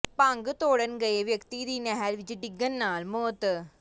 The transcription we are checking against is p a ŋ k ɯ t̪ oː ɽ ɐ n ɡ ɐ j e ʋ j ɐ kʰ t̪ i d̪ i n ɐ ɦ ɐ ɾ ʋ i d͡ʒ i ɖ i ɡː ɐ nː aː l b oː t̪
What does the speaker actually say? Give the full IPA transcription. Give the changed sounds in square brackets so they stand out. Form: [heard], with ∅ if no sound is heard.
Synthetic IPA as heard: p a ŋ [ɡ] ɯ t̪ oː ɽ ɐ n ɡ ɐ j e ʋ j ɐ [k] t̪ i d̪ i n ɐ ɦ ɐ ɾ ʋ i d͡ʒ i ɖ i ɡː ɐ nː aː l [m] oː t̪